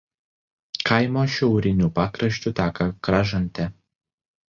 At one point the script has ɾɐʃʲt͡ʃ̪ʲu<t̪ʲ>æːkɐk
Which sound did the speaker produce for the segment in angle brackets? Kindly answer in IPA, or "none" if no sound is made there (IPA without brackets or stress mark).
t̪ʲ